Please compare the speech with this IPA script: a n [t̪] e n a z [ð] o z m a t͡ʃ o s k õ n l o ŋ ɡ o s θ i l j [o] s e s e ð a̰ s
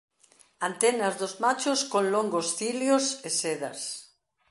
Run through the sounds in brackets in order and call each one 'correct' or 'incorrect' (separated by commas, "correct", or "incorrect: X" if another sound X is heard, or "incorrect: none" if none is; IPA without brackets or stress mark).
correct, correct, correct